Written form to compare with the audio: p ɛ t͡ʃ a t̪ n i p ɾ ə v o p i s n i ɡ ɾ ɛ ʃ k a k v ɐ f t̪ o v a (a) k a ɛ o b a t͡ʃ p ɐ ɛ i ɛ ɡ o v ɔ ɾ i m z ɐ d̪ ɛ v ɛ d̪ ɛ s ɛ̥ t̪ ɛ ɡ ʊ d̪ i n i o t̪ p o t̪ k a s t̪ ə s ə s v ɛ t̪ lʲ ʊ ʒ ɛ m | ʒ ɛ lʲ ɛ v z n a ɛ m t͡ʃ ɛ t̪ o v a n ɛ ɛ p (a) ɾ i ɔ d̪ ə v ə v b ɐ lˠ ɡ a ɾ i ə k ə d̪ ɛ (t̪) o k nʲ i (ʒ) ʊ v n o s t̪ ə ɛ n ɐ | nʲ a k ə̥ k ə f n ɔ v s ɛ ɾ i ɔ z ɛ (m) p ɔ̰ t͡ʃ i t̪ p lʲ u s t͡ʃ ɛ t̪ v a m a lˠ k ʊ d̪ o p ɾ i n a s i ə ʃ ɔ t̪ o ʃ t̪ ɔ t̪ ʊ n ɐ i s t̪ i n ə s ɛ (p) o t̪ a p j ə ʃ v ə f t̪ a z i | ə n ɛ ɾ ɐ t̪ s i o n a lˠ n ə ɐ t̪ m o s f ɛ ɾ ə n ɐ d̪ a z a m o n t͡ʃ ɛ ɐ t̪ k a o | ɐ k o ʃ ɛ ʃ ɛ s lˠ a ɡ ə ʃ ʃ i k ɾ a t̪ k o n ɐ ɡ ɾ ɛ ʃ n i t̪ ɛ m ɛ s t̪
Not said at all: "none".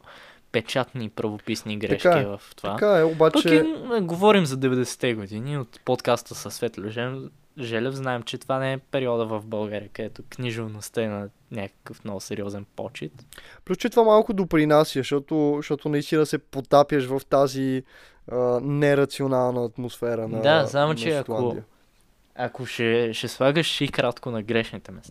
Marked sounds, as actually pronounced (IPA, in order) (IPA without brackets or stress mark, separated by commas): a, ɛ, t̪, ʒ, n, p